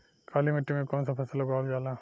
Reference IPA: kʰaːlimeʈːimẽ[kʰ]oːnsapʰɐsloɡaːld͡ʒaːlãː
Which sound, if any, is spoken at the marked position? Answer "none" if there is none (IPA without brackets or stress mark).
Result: k